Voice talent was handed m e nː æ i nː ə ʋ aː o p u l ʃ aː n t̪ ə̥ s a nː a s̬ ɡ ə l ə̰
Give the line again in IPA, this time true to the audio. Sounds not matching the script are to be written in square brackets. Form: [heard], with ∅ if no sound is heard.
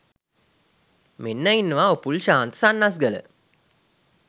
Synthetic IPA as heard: m e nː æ i nː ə ʋ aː o p u l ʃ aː n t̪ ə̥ s a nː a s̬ ɡ ə l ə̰